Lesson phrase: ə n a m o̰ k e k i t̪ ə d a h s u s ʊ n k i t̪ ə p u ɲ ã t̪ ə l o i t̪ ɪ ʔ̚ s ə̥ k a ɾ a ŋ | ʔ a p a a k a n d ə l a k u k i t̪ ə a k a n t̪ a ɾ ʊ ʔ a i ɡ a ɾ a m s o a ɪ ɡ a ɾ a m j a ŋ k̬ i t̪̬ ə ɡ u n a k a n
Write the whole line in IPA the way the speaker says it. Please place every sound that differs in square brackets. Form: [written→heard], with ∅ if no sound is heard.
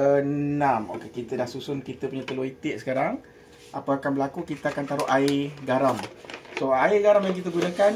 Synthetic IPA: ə n a m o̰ k e k i t̪ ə d a h s u s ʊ n k i t̪ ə p u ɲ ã t̪ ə l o i t̪ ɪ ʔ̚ s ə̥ k a ɾ a ŋ | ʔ a p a a k a n [d→b] ə l a k u k i t̪ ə a k a n t̪ a ɾ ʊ ʔ a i ɡ a ɾ a m s o a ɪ ɡ a ɾ a m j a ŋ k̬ i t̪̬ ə ɡ u n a k a n

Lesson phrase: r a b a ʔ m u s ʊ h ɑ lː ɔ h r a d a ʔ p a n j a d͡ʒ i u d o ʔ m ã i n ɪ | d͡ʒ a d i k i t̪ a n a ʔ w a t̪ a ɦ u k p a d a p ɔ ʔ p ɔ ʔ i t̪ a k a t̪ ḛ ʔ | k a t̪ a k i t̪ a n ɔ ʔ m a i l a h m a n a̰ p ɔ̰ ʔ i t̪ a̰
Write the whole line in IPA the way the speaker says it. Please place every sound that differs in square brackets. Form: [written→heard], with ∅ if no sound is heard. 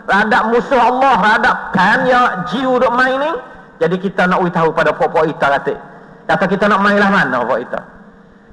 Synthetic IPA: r a [b→d] a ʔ m u s ʊ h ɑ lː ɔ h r a d a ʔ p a n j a d͡ʒ i u d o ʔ m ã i n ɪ | d͡ʒ a d i k i t̪ a n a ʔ w [a→i] t̪ a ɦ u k p a d a p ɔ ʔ p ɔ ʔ i t̪ a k a t̪ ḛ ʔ | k a t̪ a k i t̪ a n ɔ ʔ m a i l a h m a n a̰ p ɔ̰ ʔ i t̪ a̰

